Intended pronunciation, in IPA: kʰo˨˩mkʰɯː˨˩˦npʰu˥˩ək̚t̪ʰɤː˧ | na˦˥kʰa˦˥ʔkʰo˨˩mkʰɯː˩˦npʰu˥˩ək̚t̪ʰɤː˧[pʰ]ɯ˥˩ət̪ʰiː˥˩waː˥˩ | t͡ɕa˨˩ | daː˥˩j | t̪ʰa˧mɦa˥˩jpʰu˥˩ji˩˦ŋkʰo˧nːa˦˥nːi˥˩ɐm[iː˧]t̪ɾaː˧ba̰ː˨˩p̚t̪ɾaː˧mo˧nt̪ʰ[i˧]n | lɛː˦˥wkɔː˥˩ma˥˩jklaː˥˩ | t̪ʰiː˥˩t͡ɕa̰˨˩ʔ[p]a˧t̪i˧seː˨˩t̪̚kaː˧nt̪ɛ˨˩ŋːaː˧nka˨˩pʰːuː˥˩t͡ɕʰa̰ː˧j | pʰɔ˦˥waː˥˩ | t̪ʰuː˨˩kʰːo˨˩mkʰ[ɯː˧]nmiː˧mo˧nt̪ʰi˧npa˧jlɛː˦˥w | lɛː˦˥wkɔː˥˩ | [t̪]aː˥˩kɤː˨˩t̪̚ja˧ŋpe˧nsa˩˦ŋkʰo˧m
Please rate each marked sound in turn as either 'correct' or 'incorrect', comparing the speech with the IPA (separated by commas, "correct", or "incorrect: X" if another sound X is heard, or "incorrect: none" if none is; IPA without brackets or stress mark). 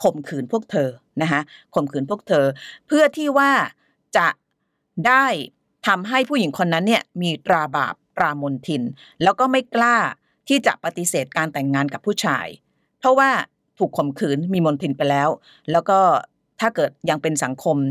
correct, correct, correct, correct, incorrect: ɯː˩˦, incorrect: t̪ʰ